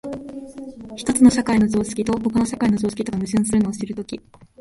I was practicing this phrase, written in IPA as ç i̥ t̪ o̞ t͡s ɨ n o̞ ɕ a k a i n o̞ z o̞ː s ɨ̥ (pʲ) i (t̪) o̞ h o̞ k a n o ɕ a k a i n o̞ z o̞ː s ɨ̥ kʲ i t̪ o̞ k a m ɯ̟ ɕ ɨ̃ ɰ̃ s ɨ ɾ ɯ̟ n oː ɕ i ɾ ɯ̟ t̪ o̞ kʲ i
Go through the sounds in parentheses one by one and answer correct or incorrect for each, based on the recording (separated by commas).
incorrect, correct